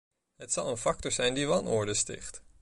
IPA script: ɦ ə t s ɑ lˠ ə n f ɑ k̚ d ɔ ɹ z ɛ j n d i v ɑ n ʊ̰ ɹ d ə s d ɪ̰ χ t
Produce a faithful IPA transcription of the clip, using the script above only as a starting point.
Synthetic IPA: ɦ ə t s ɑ lˠ ə n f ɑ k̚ t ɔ ɹ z ɛ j n d i ʋ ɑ n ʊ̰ ɹ d ə s t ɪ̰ χ t